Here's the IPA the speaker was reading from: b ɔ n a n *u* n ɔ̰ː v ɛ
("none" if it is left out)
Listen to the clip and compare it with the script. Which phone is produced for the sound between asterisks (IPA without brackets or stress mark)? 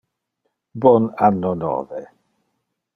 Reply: ɔ